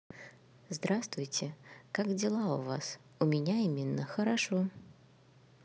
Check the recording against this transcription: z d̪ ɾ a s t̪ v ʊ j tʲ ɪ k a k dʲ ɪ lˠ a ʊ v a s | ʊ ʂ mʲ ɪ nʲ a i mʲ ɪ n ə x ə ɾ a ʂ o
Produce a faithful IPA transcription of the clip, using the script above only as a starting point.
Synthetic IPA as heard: z d̪ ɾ a s t̪ v ʊ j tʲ ɪ k a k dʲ ɪ lˠ a ʊ v a s | ʊ mʲ ɪ nʲ a i mʲ ɪ nː ə x ə ɾ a ʂ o